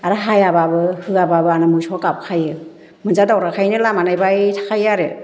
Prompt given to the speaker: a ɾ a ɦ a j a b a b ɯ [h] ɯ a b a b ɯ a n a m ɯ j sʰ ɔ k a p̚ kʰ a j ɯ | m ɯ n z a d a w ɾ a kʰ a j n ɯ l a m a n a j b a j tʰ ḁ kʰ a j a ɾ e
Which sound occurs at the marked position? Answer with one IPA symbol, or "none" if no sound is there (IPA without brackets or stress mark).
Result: h